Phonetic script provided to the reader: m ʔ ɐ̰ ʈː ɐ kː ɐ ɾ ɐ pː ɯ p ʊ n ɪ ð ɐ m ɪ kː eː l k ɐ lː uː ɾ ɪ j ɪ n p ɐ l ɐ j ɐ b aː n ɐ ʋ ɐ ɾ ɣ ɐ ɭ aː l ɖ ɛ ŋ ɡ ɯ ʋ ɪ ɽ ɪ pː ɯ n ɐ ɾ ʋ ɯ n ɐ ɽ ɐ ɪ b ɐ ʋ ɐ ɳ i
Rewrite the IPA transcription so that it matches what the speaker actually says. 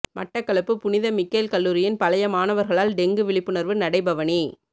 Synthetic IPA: m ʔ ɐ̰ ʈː ɐ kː ɐ ɭ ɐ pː ɯ p ʊ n ɪ ð ɐ m ɪ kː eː l k ɐ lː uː ɾ ɪ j ɪ n p ɐ l ɐ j ɐ m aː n ɐ ʋ ɐ ɾ ɣ ɐ ɭ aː l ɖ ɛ ŋ ɡ ɯ ʋ ɪ ɭ ɪ pː ɯ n ɐ ɾ ʋ ɯ n ɐ ɽ ɐ ɪ b ɐ ʋ ɐ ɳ i